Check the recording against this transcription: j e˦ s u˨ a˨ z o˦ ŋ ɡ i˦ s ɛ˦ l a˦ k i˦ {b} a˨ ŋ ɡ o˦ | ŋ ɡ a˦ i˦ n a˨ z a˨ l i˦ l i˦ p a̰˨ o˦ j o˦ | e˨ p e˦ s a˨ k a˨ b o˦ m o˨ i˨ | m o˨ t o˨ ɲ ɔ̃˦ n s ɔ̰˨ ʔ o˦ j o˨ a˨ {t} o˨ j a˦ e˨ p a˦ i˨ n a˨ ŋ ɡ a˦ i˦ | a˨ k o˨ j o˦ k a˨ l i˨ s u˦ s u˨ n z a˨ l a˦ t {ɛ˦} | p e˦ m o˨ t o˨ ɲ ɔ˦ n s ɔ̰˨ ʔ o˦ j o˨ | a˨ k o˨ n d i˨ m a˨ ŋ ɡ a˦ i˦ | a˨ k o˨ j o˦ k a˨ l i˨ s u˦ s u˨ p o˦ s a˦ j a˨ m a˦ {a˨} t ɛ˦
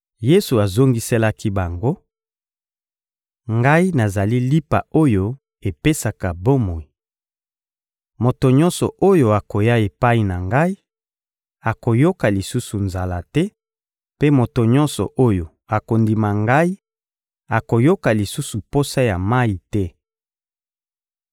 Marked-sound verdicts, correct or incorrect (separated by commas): correct, incorrect, correct, incorrect